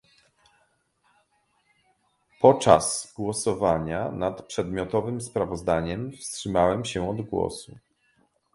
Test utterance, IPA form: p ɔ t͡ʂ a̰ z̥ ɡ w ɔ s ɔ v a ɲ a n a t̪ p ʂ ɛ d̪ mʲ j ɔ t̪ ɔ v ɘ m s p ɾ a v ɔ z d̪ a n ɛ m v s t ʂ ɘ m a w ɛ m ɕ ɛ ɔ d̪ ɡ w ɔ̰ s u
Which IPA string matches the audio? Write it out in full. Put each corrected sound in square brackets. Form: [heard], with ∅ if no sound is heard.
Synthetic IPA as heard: p ɔ t͡ʂ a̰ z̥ ɡ w ɔ s ɔ v a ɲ a n a t̪ p ʂ ɛ d̪ mʲ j ɔ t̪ ɔ v ɘ m s p ɾ a v ɔ z d̪ a [ɲ] ɛ m [f] s t ʂ ɘ m a w ɛ m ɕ ɛ ɔ d̪ ɡ w ɔ̰ s u